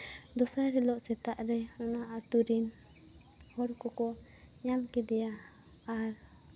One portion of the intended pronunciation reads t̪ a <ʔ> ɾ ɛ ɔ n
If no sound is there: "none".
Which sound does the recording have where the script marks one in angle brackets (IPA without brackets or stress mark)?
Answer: ʔ